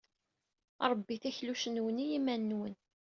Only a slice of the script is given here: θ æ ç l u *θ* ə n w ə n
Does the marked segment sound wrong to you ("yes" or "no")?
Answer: yes